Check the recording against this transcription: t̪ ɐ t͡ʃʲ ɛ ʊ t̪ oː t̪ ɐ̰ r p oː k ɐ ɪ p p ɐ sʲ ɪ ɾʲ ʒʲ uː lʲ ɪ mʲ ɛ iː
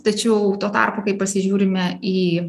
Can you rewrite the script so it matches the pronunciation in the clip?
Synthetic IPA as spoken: t̪ ɐ t͡ʃʲ ɛ ʊ t̪ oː t̪ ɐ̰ r p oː k ɐ ɪ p p ɐ sʲ ɪ ʒʲ uː ɾʲ ɪ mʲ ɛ iː